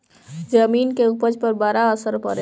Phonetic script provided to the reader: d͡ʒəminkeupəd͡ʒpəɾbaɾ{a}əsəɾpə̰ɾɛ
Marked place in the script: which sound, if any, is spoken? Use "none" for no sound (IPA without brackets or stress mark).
a